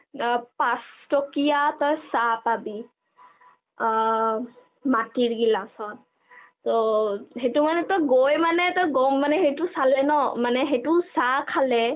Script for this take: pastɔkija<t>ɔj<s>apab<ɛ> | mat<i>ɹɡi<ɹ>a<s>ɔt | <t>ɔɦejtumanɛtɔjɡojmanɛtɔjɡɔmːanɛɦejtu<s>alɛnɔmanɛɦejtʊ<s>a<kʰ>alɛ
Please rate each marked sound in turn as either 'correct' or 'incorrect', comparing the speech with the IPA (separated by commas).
correct, correct, incorrect, correct, incorrect, correct, correct, correct, correct, correct